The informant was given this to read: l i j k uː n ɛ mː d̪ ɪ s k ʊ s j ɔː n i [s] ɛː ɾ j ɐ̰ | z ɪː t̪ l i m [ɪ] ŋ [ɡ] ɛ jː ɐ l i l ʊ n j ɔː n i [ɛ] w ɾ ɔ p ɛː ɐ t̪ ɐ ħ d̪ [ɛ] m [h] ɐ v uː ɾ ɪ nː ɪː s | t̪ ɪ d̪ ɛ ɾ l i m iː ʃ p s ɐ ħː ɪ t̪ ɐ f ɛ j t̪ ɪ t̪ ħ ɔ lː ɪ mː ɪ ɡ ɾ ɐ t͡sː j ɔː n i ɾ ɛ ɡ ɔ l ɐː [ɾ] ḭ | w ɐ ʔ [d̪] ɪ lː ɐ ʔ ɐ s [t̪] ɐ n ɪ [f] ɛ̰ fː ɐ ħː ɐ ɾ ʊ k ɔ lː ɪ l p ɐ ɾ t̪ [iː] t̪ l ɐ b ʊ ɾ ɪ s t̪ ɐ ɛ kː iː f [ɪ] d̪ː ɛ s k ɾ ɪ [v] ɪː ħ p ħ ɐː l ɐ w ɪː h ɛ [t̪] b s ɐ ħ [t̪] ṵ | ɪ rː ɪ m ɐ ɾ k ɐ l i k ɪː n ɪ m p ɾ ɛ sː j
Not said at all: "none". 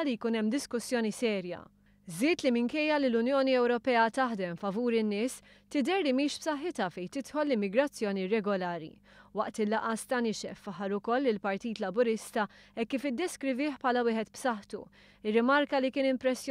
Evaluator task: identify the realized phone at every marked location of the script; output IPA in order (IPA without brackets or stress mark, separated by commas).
s, ɪ, k, ɛ, ɛ, f, ɾ, t̪, t̪, ʃ, iː, ɪ, v, t̪, t̪